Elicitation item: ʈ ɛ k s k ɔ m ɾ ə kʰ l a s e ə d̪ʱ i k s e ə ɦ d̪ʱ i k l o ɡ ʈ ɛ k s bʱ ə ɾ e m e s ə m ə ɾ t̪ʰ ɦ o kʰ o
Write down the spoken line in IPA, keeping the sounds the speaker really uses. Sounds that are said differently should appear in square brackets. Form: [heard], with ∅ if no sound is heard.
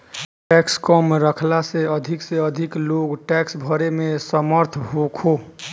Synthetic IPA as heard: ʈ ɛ k s k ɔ m ɾ ə kʰ l a s e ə d̪ʱ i k s e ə [∅] d̪ʱ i k l o ɡ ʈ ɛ k s bʱ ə ɾ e m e s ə m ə ɾ t̪ʰ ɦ o kʰ o